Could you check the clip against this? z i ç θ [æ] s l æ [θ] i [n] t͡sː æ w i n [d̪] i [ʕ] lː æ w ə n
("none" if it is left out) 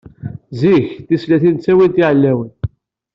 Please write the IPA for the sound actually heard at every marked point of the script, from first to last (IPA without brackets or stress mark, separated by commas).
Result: i, θ, n, t̪, ʕ